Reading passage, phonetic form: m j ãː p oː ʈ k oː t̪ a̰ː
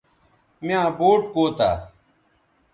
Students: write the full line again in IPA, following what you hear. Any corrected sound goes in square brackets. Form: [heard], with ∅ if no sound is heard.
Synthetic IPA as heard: m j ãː [b] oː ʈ k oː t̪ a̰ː